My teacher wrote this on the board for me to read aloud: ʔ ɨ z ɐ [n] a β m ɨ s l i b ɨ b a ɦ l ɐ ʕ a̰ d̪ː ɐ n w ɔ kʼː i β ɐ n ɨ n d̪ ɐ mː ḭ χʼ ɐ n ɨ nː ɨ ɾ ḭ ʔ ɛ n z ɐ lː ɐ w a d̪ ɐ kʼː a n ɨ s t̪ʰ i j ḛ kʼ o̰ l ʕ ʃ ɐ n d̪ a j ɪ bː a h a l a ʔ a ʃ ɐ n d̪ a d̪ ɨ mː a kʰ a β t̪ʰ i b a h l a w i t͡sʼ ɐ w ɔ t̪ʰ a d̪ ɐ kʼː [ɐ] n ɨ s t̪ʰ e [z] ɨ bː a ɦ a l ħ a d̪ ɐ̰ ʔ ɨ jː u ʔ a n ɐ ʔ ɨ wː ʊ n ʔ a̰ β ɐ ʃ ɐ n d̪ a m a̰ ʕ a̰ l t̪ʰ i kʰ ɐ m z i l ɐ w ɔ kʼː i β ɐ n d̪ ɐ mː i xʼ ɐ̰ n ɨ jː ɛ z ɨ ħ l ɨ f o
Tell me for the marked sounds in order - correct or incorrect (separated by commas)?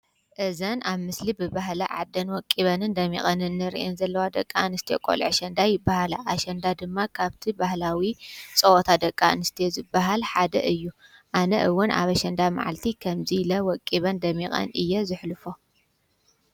correct, incorrect, correct